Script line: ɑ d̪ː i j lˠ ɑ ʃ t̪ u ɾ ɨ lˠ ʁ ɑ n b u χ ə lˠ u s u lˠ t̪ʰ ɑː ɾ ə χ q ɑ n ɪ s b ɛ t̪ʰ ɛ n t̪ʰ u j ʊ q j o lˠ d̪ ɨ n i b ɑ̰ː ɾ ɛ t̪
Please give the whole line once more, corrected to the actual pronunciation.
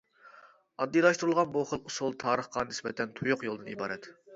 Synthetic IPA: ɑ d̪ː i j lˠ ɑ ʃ t̪ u ɾ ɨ lˠ ʁ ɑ n b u χ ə lˠ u s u lˠ t̪ʰ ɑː ɾ ə χ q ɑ n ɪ s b ɛ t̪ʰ ɛ n t̪ʰ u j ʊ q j o lˠ d̪ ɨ n i b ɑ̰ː ɾ ɛ t̪

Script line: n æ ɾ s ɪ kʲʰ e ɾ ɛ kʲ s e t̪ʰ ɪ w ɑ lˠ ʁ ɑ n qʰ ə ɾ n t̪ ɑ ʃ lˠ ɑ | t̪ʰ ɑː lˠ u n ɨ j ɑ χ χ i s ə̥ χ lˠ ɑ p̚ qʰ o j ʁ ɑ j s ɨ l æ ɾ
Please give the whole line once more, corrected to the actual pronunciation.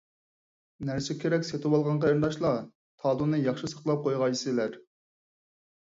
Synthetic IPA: n æ ɾ s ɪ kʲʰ e ɾ ɛ kʲ s e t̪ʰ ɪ w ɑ lˠ ʁ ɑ n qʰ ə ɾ n d̪ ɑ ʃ lˠ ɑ | t̪ʰ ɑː lˠ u n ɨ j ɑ χ ʃ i s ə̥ χ lˠ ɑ p̚ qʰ o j ʁ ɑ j s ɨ l æ ɾ

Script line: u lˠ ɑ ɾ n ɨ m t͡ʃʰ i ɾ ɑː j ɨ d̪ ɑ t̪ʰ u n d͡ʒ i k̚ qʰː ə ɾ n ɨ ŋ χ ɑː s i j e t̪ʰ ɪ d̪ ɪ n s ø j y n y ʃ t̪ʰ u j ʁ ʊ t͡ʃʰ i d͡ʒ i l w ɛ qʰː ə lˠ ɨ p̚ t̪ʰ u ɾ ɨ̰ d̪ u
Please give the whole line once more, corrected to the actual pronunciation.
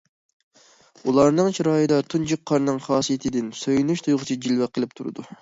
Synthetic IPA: u lˠ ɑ ɾ n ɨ ŋ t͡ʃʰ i ɾ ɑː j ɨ d̪ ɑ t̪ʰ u n d͡ʒ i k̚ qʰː ɑ ɾ n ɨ ŋ χ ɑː s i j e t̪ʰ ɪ d̪ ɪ n s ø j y n y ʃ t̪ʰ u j ʁ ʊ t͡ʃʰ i d͡ʒ i l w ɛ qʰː ə lˠ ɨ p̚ t̪ʰ u ɾ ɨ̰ d̪ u

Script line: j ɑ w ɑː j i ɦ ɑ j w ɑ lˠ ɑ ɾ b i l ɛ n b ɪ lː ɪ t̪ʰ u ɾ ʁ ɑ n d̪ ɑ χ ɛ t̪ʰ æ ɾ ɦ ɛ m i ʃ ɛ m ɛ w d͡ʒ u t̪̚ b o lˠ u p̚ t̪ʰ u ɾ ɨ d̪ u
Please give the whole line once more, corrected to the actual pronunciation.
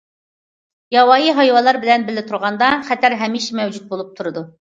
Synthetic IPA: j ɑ w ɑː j i ɦ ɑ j w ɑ lˠ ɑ ɾ b ɪ l ɛ n b ɪ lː ɪ t̪ʰ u ɾ ʁ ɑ n d̪ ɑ χ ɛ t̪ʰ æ ɾ ɦ ɛ m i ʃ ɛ m ɛ w d͡ʒ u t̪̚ b o lˠ u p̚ t̪ʰ u ɾ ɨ d̪ u

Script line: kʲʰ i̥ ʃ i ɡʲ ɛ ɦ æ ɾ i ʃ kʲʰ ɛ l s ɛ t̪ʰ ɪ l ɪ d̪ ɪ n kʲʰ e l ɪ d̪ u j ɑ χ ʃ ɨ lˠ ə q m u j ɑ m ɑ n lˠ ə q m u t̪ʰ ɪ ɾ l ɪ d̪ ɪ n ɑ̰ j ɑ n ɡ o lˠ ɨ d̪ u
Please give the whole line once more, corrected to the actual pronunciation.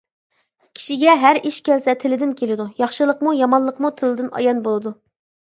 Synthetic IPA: kʲʰ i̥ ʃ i ɡʲ ɛ ɦ æ ɾ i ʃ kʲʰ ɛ l s ɛ t̪ʰ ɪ l ɪ d̪ ɪ n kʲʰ e l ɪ d̪ u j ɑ χ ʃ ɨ lˠ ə q m u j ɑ m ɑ n lˠ ə q m u t̪ʰ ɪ l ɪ d̪ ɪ n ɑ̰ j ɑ n b o lˠ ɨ d̪ u

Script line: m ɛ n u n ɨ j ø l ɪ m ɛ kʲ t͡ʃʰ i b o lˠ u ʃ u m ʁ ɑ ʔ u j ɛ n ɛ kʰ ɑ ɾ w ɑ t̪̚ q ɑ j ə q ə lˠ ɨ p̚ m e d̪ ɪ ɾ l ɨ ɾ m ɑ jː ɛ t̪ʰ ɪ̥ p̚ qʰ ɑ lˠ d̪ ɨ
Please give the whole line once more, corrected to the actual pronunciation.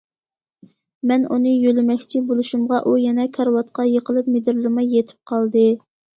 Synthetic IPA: m ɛ n u n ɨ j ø l ɪ m ɛ kʲ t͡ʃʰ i b o lˠ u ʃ u m ʁ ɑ ʔ u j ɛ n ɛ kʰ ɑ ɾ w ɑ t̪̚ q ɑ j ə q ə lˠ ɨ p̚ m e d̪ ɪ ɾ l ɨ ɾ m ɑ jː e t̪ʰ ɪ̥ p̚ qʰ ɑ lˠ d̪ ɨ

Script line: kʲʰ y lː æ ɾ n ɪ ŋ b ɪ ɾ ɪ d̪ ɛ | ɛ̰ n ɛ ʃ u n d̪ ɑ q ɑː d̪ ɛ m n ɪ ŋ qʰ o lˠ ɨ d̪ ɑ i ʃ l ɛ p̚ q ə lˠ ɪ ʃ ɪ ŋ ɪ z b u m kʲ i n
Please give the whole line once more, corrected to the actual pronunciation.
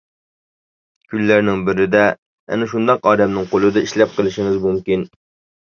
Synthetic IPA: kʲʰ y lː æ ɾ n ɪ ŋ b ɪ ɾ ɪ d̪ ɛ | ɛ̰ n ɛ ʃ u n d̪ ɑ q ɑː d̪ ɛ m n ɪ ŋ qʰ o lˠ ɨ d̪ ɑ i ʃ l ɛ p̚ q ə lˠ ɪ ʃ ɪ ŋ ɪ z m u m kʲ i n

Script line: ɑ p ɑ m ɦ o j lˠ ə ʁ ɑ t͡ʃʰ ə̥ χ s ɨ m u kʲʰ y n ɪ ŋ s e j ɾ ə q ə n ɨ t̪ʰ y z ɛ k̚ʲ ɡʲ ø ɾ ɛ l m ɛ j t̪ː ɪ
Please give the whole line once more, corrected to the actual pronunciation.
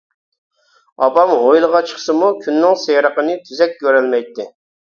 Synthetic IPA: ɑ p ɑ m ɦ o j lˠ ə ʁ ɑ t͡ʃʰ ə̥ χ s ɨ m u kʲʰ y nː ɪ ŋ s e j ɾ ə q ə n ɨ t̪ʰ y z ɛ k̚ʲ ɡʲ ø ɾ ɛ l m ɛ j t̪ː ɪ

